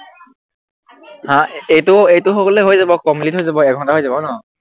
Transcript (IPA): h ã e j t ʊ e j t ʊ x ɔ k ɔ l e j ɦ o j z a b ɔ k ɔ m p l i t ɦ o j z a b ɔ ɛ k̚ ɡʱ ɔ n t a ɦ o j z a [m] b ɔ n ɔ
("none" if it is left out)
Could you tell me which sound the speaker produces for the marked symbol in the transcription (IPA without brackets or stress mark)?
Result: none